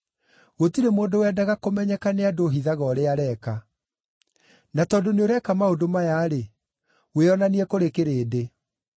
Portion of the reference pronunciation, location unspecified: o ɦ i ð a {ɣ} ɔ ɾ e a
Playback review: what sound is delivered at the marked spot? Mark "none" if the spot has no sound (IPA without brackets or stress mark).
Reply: ɣ